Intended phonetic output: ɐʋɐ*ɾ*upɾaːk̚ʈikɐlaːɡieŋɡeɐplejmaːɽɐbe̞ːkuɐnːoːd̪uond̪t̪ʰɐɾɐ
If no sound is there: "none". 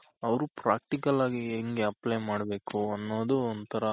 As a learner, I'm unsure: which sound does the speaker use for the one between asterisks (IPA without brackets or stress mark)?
ɾ